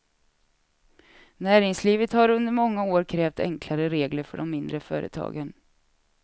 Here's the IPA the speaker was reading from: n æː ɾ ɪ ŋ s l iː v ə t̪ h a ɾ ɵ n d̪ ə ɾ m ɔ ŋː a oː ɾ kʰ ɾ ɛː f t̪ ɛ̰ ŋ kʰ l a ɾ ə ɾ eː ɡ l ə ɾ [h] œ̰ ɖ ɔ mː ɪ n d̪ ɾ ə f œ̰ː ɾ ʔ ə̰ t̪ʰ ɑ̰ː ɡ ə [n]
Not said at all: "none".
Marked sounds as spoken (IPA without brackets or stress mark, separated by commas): f, n